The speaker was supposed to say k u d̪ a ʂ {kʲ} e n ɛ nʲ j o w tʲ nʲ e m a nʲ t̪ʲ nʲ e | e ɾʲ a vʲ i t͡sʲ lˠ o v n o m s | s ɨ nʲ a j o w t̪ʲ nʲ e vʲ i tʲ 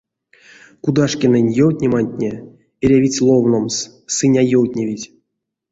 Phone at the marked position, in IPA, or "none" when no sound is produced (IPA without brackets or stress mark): kʲ